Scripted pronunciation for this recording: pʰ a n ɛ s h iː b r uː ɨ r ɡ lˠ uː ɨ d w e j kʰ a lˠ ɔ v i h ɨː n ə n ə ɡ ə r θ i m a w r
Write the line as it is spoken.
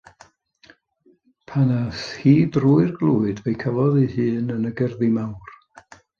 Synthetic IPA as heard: pʰ a n a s h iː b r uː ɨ r ɡ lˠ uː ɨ d v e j kʰ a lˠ ɔ ð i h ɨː n ə n ə ɡ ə r ð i m a w r